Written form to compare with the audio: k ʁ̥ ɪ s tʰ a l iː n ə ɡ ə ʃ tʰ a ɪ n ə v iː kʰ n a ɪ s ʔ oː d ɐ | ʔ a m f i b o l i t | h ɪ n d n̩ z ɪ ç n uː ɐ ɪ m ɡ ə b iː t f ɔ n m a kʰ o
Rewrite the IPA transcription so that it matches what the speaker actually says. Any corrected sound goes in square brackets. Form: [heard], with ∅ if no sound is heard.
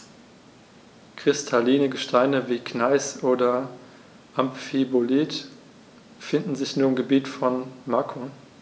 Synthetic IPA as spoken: k ʁ̥ ɪ s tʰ a l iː n ə ɡ ə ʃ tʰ a ɪ n ə v iː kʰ n a ɪ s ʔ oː d ɐ | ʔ a m f i b o l i t | [f] ɪ n d n̩ z ɪ ç n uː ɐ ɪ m ɡ ə b iː t f ɔ n m a kʰ o